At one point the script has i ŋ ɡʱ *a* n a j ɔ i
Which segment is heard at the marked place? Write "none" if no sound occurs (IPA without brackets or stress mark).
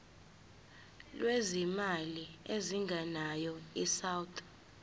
a